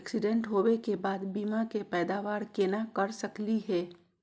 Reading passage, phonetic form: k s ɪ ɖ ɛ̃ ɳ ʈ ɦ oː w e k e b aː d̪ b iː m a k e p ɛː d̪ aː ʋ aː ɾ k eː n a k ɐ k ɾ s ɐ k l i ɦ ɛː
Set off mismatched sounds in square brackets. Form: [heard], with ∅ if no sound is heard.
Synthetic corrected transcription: k s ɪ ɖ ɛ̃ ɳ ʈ ɦ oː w e k e b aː d̪ b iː m a k e p ɛː d̪ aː ʋ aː ɾ k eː n a k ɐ [∅] ɾ s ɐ k l i ɦ ɛː